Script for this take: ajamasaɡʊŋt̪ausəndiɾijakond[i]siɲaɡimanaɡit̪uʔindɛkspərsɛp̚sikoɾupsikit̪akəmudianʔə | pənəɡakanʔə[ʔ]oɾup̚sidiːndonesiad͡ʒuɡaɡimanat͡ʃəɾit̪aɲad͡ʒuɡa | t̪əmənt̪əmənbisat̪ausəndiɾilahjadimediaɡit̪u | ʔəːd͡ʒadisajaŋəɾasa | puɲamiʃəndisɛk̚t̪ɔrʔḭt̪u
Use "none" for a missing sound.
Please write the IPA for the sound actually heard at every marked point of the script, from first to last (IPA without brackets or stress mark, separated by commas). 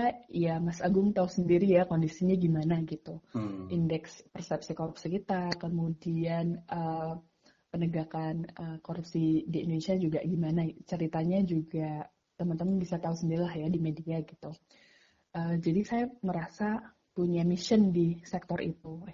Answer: i, k